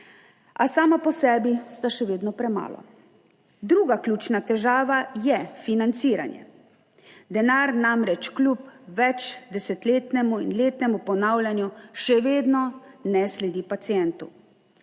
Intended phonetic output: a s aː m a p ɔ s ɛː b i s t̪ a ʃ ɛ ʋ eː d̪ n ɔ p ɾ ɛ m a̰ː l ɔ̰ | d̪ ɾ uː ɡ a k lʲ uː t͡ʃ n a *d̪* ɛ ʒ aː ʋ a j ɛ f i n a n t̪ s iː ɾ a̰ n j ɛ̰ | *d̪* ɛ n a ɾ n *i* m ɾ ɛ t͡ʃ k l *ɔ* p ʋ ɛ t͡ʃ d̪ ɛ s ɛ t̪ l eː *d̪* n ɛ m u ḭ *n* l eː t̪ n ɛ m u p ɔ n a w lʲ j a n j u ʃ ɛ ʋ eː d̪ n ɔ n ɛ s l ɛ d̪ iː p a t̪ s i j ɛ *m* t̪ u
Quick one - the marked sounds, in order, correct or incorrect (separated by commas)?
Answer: incorrect, correct, incorrect, incorrect, incorrect, correct, incorrect